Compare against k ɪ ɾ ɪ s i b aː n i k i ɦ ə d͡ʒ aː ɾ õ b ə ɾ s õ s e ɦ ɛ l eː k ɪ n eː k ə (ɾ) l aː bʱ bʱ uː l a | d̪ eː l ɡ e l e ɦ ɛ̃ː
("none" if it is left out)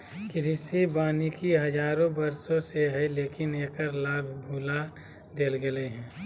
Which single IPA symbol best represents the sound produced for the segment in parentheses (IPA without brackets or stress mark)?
ɾ